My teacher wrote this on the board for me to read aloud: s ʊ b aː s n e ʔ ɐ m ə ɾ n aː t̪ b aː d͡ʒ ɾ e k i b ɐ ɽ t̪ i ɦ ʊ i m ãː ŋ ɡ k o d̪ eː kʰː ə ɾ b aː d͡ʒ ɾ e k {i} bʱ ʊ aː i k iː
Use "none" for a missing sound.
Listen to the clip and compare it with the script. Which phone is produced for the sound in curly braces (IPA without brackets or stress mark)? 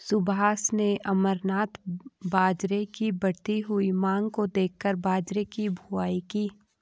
i